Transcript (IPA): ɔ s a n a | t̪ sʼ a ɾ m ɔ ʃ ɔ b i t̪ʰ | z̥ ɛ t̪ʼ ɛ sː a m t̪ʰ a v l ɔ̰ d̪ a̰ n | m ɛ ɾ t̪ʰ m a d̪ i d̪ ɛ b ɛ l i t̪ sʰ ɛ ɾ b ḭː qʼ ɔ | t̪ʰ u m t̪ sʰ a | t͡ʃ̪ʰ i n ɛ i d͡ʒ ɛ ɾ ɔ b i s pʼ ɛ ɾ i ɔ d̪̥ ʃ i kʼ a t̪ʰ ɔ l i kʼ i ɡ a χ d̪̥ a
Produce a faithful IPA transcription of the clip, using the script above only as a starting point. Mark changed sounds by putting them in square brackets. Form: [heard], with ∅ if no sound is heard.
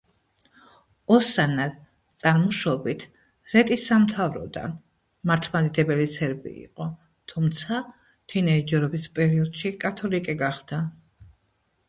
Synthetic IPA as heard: ɔ s a n a | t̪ sʼ a ɾ m ɔ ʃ ɔ b i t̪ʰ | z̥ ɛ t̪ʼ [i] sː a m t̪ʰ a v [ɾ] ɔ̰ d̪ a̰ n | m [a] ɾ t̪ʰ m a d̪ i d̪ ɛ b ɛ l i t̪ sʰ ɛ ɾ b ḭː qʼ ɔ | t̪ʰ u m t̪ sʰ a | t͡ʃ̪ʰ i n ɛ i d͡ʒ ɛ ɾ ɔ b i s pʼ ɛ ɾ i ɔ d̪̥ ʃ i kʼ a t̪ʰ ɔ l i kʼ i ɡ a χ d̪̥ a